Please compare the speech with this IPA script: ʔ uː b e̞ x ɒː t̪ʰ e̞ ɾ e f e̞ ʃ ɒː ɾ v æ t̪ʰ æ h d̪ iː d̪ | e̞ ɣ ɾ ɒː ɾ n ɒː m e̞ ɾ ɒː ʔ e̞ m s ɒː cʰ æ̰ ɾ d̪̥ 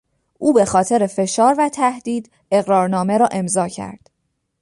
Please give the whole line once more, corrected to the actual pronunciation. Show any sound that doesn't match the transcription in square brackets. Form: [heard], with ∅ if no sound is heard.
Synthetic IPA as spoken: ʔ uː b e̞ x ɒː t̪ʰ e̞ ɾ e f e̞ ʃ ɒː ɾ v æ t̪ʰ æ h d̪ iː d̪ | e̞ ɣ ɾ ɒː ɾ n ɒː m e̞ ɾ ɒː ʔ e̞ m [z] ɒː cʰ æ̰ ɾ d̪̥